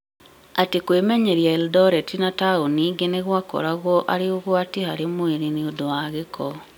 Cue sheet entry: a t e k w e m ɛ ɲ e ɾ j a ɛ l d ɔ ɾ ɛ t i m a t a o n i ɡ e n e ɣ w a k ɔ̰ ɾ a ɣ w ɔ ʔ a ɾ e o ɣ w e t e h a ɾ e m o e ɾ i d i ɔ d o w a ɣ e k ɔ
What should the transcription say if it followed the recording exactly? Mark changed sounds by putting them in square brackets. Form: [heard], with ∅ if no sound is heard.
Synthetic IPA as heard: a t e k w e m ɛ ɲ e ɾ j a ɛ l d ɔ ɾ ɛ t i [n] a t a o n i ɡ e n e ɣ w a k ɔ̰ ɾ a ɣ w ɔ ʔ a ɾ e o ɣ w [a] t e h a ɾ e m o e ɾ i [n] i [o] d o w a ɣ e k ɔ